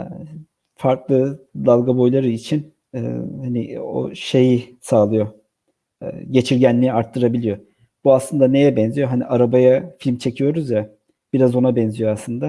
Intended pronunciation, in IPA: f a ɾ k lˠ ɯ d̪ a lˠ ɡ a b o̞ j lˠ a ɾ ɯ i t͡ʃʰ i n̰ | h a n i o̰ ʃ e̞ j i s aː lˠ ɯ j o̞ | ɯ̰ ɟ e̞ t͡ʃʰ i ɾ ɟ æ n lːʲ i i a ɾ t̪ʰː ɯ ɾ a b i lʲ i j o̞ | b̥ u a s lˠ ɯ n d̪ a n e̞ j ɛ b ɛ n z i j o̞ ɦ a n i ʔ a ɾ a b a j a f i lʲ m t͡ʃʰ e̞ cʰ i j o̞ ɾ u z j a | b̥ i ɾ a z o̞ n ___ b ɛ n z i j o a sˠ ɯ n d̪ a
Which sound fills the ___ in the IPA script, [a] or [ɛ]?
a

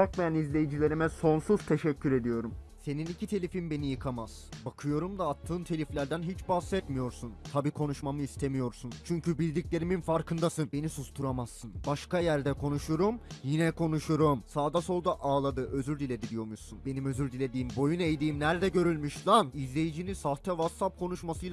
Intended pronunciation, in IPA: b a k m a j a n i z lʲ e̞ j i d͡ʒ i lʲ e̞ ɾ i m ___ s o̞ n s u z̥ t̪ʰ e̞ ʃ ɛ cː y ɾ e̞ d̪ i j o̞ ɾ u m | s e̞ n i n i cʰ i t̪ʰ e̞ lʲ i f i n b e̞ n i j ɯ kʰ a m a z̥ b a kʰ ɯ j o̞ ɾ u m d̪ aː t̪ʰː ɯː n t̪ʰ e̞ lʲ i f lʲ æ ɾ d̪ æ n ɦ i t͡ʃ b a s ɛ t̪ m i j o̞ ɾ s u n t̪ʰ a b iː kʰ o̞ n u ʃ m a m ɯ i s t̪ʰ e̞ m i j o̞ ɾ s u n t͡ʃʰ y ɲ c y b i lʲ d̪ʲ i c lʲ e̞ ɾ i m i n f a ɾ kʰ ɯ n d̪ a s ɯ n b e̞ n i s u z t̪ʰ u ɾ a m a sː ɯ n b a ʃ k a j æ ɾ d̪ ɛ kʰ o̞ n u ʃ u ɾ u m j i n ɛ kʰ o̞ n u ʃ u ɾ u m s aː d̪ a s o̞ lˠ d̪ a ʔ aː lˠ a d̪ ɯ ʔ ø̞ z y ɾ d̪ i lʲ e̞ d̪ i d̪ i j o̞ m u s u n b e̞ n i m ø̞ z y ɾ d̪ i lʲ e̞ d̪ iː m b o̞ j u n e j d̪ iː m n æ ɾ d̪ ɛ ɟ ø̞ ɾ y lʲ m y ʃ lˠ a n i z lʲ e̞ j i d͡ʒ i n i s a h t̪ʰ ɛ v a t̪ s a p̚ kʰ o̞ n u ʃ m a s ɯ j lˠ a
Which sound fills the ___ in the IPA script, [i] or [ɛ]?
ɛ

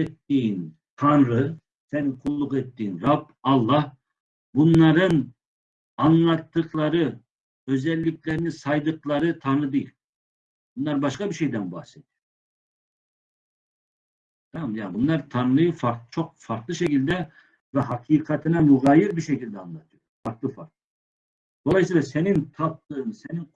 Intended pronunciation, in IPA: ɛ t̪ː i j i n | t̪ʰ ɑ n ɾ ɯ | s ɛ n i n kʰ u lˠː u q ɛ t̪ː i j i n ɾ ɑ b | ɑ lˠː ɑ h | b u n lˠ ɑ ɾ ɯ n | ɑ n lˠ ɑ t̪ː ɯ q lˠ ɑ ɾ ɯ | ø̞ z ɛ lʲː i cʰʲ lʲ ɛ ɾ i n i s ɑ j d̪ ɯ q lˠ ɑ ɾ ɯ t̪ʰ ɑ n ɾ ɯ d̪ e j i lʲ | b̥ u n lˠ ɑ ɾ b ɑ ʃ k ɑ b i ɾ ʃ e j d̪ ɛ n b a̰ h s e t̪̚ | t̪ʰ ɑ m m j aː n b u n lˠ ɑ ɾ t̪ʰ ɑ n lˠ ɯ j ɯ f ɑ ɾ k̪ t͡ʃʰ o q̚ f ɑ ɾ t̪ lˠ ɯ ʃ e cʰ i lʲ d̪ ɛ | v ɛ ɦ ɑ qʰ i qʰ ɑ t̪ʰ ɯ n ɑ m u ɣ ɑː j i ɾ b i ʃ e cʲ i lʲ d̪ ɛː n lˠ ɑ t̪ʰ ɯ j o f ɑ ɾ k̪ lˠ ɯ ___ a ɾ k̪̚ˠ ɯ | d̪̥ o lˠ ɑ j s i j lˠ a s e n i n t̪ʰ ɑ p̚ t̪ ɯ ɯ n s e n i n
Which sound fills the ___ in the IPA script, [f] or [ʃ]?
f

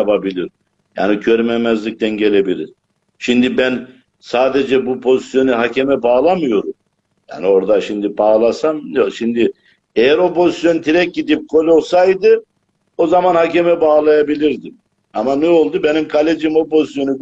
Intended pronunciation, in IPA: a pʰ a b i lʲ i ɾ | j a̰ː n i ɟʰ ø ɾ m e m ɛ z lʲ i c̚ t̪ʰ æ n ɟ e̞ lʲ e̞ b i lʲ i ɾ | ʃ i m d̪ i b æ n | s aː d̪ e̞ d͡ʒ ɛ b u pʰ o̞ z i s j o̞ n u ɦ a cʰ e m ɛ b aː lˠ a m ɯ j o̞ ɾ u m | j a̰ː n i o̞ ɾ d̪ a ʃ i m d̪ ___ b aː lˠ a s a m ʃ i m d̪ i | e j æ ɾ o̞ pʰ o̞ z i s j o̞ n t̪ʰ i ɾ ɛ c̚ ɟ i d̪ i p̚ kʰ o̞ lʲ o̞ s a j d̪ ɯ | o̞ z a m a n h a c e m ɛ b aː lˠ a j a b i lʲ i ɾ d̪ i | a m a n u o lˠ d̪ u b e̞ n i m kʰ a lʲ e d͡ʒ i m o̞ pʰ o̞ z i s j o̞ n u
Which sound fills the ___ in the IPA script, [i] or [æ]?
i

